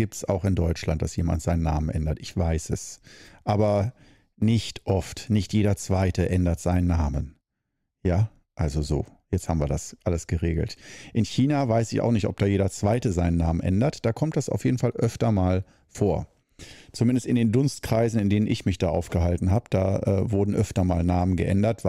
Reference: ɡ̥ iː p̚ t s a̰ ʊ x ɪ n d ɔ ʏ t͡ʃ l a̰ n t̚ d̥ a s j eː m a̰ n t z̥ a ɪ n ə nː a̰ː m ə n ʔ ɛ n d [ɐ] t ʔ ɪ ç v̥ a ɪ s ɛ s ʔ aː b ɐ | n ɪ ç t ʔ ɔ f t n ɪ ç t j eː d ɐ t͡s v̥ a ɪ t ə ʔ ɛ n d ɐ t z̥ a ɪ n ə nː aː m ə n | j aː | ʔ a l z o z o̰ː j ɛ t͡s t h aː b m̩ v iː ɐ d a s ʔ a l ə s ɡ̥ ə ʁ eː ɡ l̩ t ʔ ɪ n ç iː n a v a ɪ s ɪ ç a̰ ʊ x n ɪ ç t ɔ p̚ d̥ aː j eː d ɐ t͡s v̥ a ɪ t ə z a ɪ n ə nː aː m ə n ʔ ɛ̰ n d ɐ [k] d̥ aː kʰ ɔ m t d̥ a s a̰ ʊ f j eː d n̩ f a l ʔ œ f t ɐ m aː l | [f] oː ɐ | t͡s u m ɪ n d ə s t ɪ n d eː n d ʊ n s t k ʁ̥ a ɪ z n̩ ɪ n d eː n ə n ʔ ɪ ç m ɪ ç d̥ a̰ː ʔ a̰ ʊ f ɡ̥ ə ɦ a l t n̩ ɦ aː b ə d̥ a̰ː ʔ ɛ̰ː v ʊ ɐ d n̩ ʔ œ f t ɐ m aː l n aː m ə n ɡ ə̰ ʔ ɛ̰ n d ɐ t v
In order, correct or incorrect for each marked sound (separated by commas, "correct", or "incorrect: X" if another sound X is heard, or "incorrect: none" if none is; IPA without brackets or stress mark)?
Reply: correct, incorrect: t, correct